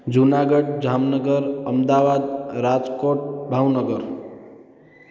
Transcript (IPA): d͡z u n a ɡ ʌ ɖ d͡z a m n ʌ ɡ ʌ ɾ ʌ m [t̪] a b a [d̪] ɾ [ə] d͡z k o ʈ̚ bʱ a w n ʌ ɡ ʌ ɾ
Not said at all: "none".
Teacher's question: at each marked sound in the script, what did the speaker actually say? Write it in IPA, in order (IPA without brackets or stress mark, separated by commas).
d̪, d̪, a